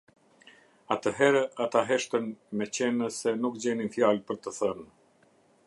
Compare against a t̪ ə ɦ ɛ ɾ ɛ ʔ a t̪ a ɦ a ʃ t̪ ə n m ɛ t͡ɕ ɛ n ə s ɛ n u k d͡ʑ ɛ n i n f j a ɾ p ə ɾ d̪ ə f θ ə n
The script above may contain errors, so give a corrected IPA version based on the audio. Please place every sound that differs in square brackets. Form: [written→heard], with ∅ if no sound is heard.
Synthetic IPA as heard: a t̪ ə ɦ ɛ ɾ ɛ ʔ a t̪ a ɦ [a→ɛ] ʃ t̪ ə n m ɛ t͡ɕ ɛ n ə s ɛ n u k d͡ʑ ɛ n i n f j a [ɾ→l] p ə ɾ [d̪→t̪] ə [f→∅] θ ə n